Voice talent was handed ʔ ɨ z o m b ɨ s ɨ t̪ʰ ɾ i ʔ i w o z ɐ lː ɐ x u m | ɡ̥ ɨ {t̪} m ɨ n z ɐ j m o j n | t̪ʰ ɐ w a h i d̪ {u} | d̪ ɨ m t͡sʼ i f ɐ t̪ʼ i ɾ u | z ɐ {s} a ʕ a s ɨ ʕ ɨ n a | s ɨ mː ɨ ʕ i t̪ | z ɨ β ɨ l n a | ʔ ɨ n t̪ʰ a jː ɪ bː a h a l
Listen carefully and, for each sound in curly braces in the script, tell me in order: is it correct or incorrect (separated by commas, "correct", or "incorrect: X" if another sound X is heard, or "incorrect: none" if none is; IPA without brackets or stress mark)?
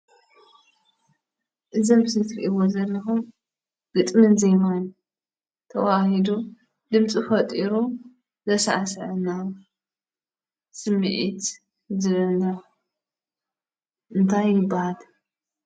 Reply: incorrect: t̪ʼ, correct, correct